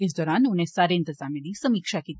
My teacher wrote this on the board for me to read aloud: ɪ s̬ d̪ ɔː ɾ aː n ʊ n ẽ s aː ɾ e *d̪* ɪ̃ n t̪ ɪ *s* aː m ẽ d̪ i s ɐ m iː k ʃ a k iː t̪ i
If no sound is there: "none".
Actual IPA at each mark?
none, z

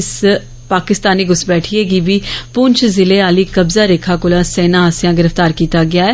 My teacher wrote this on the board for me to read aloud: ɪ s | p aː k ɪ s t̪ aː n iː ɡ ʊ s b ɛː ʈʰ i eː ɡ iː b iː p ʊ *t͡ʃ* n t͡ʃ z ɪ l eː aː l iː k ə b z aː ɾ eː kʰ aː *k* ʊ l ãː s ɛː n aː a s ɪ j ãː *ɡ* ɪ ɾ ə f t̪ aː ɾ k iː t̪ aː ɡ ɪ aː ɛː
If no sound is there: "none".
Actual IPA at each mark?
none, k, ɡ

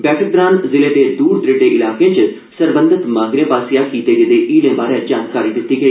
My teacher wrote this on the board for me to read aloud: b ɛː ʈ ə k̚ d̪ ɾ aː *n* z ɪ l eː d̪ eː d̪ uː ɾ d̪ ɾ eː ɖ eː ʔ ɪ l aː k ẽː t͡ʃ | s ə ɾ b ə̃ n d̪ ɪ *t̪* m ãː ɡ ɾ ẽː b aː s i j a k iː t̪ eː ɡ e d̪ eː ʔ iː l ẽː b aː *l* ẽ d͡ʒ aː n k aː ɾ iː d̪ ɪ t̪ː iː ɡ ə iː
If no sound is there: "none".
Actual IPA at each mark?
n, t̪, ɾ

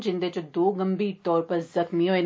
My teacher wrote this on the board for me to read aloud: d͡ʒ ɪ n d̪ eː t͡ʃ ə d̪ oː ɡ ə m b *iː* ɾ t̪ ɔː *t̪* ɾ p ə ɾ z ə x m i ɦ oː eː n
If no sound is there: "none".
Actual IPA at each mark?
iː, none

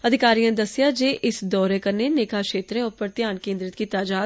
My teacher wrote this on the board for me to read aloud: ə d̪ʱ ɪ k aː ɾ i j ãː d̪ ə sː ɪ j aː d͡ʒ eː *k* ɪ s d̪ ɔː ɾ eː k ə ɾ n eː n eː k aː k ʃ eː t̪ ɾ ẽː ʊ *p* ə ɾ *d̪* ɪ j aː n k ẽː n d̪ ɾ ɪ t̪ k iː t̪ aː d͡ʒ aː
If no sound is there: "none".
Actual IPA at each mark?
ʔ, p, t̪

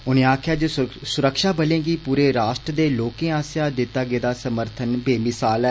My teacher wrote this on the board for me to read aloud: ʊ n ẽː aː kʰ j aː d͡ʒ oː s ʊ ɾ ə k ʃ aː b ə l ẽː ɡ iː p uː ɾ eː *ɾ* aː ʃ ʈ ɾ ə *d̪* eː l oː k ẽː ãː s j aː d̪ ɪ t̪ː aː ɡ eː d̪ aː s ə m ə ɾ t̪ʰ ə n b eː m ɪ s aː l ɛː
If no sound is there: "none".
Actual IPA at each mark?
ɾ, d̪

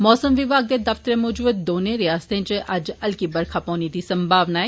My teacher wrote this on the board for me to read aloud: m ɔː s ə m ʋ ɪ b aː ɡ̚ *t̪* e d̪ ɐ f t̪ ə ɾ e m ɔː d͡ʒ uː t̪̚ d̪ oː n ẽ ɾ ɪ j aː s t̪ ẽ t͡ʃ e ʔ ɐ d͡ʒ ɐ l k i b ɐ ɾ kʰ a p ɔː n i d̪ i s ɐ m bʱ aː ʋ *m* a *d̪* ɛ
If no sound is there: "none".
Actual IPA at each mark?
d̪, n, none

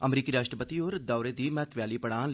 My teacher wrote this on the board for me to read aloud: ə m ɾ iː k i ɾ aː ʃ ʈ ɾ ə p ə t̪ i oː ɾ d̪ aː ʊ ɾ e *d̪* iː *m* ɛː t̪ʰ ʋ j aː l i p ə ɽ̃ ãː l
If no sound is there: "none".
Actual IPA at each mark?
d̪, m

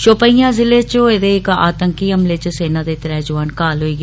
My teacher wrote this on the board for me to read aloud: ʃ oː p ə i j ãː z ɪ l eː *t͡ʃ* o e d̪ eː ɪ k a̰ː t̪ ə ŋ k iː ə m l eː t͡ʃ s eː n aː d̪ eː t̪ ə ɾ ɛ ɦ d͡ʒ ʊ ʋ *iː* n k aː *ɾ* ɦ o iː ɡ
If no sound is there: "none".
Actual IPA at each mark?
t͡ʃ, aː, l

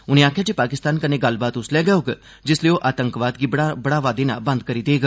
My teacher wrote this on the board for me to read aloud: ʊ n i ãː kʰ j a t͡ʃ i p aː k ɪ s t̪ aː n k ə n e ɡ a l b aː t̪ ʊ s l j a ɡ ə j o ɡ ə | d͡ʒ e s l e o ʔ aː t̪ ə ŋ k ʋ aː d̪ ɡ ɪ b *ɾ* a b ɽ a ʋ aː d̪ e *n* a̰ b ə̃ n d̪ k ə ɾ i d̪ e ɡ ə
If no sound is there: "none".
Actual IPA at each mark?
ɽ, n

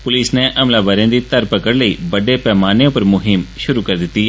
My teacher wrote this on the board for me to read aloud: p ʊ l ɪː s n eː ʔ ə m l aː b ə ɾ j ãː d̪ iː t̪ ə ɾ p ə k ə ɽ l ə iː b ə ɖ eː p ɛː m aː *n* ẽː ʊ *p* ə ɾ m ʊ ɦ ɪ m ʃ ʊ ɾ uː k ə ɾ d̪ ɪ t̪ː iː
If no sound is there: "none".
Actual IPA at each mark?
n, p

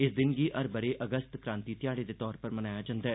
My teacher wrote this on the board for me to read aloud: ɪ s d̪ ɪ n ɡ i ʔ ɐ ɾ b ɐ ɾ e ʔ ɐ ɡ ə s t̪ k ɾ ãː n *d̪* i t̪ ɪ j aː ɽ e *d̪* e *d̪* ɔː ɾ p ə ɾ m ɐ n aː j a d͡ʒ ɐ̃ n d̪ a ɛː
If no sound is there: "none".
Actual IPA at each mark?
t̪, d̪, t̪

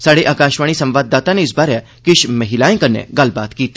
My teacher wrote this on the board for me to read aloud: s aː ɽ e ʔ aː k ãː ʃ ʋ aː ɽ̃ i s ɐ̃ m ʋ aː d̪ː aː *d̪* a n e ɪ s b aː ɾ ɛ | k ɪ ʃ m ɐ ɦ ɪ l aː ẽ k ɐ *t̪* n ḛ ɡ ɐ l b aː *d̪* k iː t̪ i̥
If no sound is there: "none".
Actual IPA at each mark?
t̪, none, t̪

